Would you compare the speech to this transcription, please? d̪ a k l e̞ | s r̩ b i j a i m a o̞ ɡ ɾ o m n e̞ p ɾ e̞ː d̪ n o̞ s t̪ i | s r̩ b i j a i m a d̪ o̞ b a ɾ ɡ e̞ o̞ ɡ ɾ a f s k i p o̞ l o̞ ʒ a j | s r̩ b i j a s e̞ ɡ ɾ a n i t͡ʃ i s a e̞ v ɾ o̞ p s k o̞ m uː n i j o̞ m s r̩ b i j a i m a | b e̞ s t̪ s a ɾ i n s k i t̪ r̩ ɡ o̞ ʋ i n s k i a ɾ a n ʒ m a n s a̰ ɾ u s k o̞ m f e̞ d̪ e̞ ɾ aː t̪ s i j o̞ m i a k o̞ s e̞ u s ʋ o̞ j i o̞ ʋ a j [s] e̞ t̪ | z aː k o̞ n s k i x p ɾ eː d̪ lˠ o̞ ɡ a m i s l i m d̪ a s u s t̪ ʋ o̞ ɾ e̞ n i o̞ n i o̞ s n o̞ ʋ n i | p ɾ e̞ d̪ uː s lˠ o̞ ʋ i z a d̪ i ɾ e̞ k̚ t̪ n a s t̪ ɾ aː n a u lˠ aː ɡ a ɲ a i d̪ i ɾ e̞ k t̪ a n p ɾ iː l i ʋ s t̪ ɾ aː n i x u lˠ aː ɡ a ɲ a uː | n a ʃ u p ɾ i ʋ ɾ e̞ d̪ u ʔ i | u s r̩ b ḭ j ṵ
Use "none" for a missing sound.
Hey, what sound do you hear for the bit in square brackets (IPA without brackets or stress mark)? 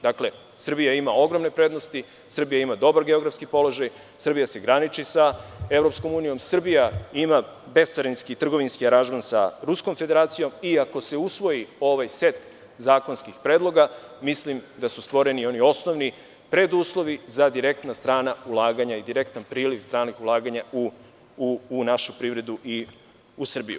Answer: s